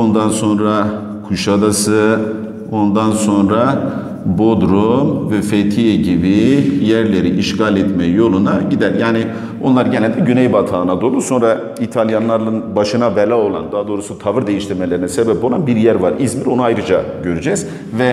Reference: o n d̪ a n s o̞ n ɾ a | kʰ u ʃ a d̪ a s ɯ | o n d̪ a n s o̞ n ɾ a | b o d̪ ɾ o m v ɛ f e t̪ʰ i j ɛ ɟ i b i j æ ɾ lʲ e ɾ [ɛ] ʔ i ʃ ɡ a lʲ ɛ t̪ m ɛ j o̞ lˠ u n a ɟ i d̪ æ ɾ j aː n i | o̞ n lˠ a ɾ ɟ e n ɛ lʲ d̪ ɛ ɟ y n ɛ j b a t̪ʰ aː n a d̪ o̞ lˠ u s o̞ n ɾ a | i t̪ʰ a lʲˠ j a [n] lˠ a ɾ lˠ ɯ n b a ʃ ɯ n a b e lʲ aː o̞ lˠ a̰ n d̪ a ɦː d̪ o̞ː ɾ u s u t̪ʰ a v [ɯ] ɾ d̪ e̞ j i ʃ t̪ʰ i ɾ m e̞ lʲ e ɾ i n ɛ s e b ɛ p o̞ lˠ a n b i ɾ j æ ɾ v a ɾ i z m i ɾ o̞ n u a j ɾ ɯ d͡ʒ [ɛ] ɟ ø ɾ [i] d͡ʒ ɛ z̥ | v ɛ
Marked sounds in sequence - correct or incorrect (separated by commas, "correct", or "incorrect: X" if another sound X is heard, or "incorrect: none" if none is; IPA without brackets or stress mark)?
incorrect: i, correct, correct, incorrect: a, incorrect: y